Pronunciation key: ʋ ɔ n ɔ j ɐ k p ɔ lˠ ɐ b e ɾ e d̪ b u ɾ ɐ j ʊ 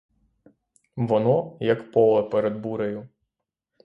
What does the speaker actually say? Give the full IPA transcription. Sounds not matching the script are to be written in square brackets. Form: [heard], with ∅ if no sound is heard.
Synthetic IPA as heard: ʋ ɔ n ɔ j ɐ k p ɔ lˠ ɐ [p] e ɾ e d̪ b u ɾ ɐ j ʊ